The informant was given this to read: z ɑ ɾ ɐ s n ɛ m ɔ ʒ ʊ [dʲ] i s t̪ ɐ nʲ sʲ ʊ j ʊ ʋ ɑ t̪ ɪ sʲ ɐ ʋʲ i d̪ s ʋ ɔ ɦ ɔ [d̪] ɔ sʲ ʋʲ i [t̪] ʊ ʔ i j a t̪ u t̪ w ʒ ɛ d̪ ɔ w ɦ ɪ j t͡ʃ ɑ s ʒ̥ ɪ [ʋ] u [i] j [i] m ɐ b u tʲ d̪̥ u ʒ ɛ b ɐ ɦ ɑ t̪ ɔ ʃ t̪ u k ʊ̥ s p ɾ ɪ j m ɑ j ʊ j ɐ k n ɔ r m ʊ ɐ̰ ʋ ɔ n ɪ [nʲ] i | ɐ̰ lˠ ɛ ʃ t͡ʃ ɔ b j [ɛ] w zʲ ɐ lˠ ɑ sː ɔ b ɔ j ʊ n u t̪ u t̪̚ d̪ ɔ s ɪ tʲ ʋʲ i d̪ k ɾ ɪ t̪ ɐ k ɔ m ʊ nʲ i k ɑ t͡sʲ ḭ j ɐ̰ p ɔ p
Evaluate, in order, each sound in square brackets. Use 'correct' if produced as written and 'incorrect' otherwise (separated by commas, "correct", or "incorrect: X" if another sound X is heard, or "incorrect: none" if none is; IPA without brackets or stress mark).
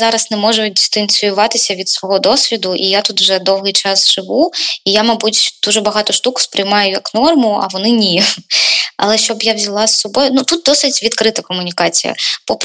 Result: correct, correct, incorrect: d̪, correct, correct, incorrect: a, correct, incorrect: a